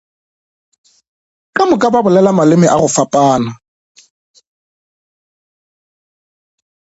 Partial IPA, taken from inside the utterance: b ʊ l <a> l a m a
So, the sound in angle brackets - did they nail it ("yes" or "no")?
no